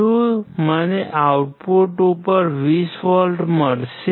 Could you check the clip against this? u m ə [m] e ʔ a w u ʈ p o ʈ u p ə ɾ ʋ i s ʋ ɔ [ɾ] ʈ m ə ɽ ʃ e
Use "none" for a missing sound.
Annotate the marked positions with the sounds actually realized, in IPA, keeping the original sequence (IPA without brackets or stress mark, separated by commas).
n, l